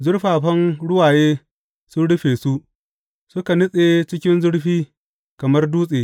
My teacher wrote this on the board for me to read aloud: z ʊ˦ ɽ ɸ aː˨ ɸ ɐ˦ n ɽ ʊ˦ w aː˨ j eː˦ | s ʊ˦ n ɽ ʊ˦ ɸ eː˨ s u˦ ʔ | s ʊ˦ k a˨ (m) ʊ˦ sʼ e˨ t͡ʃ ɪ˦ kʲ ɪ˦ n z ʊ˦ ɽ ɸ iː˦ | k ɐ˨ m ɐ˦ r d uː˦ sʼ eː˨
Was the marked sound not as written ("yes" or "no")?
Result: yes